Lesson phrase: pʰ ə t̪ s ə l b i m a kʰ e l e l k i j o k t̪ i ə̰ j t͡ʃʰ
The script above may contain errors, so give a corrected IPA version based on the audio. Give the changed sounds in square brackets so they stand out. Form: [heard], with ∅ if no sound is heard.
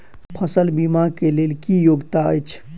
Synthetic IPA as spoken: pʰ ə [∅] s ə l b i m a [k] e l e l k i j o [ɡ] t̪ [a] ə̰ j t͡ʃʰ